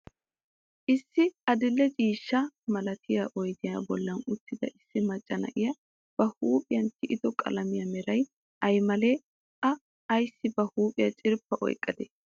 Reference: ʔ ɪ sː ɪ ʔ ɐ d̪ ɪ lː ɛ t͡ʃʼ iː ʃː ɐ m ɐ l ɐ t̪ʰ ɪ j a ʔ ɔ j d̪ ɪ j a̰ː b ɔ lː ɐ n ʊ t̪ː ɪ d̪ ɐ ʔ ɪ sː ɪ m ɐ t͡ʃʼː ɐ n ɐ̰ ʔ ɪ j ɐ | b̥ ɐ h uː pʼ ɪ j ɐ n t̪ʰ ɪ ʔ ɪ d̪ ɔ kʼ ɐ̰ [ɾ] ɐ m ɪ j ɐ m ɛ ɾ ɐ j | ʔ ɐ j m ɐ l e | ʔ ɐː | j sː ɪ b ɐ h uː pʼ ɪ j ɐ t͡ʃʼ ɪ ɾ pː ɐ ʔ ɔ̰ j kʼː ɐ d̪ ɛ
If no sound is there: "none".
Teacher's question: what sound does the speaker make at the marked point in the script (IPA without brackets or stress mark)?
l